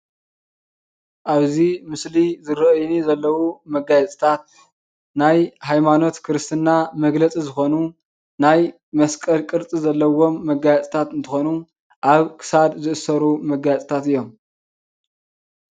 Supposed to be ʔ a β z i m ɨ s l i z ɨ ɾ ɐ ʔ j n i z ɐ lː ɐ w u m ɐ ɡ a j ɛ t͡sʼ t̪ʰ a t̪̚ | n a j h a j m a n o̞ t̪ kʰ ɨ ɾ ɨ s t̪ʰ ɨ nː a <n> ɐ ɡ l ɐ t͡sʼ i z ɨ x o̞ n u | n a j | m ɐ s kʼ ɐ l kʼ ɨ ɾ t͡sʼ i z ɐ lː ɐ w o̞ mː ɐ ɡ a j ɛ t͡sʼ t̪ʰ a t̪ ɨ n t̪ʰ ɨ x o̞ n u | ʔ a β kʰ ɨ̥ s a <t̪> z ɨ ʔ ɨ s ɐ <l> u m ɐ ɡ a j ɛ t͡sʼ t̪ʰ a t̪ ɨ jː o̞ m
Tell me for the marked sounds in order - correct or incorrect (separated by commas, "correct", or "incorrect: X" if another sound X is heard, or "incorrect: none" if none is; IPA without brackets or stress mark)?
incorrect: m, incorrect: d̪, incorrect: ɾ